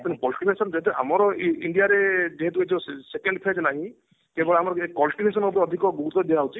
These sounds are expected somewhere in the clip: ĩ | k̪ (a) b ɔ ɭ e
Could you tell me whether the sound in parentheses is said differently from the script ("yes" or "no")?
yes